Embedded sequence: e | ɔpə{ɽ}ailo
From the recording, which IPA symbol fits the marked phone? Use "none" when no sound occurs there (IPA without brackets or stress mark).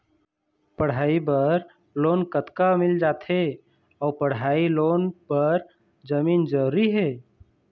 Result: ɽ